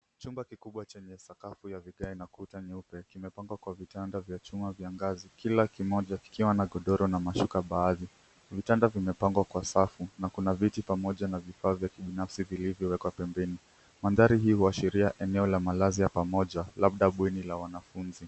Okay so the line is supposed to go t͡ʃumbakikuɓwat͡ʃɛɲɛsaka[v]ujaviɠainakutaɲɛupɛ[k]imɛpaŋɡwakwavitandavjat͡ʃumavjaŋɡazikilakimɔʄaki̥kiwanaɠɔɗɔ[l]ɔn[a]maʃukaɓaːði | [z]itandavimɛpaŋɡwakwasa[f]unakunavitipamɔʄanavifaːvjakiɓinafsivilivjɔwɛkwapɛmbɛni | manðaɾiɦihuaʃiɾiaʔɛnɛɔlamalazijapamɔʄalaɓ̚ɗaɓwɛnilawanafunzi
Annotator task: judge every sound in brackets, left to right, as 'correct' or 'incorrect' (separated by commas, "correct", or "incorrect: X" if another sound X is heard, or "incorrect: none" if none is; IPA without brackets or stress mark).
incorrect: f, correct, incorrect: ɾ, correct, incorrect: v, correct